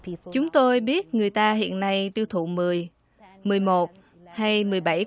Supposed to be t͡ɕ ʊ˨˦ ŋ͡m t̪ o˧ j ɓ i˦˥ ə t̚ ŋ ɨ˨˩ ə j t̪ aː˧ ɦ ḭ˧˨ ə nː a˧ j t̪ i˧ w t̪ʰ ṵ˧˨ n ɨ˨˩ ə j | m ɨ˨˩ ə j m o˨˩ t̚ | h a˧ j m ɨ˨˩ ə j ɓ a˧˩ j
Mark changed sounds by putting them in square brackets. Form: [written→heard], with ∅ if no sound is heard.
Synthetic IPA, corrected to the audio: t͡ɕ ʊ˨˦ ŋ͡m t̪ o˧ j ɓ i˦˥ ə t̚ ŋ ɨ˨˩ ə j t̪ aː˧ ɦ ḭ˧˨ ə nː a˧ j t̪ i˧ w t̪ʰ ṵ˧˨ [n→m] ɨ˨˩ ə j | m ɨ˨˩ ə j m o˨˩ t̚ | h a˧ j m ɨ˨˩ ə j ɓ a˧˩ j